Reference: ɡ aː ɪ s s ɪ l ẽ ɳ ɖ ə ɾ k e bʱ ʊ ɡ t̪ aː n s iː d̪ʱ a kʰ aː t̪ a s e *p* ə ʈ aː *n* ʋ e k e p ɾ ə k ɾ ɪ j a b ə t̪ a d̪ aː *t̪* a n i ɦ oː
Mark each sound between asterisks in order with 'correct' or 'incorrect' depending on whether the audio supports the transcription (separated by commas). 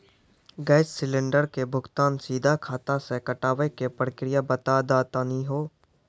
incorrect, incorrect, correct